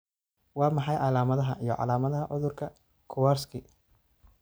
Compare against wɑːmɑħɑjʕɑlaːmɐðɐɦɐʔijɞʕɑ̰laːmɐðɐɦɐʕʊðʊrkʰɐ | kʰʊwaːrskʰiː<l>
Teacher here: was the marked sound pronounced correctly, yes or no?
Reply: no